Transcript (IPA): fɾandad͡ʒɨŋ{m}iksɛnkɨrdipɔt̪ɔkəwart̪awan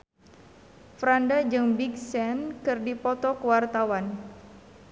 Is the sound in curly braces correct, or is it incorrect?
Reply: incorrect: b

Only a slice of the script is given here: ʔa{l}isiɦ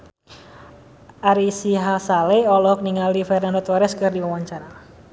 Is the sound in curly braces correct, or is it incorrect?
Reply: incorrect: ɾ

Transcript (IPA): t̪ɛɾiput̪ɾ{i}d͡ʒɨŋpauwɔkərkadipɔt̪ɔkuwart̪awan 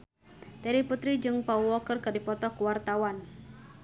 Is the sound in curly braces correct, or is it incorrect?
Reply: correct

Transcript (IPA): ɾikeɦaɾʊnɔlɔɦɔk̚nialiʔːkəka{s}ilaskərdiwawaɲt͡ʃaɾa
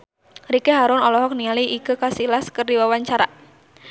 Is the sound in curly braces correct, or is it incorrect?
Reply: correct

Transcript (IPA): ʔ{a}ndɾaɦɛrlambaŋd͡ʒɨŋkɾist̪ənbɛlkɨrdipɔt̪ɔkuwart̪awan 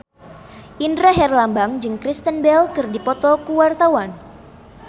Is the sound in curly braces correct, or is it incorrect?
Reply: incorrect: i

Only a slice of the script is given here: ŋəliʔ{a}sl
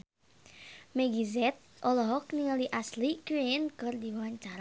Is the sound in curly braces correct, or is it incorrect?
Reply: correct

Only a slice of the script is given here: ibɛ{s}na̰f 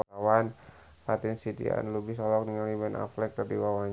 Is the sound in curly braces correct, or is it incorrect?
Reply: incorrect: none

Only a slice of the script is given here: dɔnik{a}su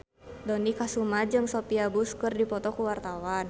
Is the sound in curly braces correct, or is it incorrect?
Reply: correct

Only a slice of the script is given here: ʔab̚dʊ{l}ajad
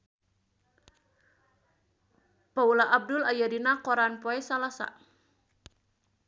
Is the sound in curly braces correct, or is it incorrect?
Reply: correct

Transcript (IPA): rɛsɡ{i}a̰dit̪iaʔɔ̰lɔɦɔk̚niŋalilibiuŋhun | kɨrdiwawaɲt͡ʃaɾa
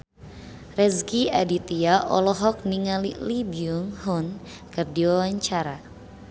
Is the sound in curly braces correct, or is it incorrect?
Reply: correct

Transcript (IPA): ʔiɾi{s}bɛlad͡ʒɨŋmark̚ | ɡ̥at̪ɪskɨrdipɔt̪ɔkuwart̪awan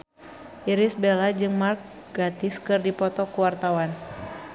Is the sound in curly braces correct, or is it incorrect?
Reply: correct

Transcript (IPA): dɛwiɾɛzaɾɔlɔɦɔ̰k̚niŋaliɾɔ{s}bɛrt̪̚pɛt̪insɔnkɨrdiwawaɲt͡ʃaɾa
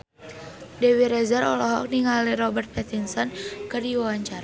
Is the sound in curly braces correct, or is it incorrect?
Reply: incorrect: none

